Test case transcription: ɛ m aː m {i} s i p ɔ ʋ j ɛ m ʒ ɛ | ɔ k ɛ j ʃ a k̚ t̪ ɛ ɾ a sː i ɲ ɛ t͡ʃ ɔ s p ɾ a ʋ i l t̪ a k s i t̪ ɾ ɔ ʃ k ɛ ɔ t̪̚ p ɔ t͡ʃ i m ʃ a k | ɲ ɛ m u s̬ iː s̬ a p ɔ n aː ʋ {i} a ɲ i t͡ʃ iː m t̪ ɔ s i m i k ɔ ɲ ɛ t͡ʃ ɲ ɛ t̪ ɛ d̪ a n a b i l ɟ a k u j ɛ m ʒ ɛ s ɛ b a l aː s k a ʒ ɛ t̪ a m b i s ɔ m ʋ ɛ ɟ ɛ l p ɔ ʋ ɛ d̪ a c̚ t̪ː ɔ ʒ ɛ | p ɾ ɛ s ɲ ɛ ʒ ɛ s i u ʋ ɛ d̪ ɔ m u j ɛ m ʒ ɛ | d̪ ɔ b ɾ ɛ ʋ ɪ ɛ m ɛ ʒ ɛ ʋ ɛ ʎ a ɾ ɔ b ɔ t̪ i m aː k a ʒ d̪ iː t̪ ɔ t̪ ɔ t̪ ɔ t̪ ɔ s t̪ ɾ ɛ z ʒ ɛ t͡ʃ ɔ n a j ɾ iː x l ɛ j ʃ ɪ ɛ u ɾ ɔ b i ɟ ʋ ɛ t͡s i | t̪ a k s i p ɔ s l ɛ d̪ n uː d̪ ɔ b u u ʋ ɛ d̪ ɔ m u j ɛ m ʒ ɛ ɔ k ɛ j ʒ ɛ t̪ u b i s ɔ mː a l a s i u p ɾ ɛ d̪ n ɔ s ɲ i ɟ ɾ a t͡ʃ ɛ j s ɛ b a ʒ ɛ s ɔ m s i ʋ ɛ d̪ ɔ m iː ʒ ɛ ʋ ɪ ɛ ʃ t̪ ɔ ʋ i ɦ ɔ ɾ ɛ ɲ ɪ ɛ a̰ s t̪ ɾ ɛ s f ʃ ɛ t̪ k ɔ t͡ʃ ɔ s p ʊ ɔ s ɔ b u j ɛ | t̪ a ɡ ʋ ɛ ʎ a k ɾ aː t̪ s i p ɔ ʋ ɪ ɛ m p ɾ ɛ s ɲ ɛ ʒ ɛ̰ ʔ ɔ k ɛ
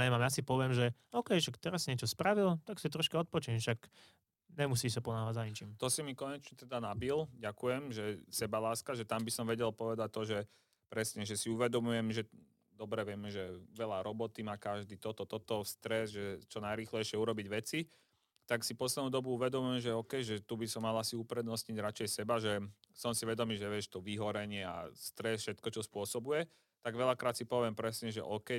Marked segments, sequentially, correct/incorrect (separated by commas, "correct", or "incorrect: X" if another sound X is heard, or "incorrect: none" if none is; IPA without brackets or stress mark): incorrect: a, incorrect: a